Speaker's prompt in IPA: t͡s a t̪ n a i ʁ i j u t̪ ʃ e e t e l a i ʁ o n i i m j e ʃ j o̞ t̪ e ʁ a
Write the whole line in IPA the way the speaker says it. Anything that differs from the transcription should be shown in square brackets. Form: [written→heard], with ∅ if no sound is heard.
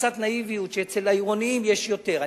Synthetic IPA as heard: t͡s a t̪ n a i [ʁ→v] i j u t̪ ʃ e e [t→t͡s] e l a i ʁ o n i i m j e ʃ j o̞ t̪ e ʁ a